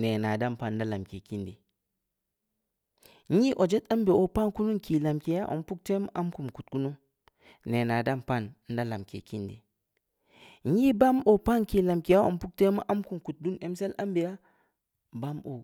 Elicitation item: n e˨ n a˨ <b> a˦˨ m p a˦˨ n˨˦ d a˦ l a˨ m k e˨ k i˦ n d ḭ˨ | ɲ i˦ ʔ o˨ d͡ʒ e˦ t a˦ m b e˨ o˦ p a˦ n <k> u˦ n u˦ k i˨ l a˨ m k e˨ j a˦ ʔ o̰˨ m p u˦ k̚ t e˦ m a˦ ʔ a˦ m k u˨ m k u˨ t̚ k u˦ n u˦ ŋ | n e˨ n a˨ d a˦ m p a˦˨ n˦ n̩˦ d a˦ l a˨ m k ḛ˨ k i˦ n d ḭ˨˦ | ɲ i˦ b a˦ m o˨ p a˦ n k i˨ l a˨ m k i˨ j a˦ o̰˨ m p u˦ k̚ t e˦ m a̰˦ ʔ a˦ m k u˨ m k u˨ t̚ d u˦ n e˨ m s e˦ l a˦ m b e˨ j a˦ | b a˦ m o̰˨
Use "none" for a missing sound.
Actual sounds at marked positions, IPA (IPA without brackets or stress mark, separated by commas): d, k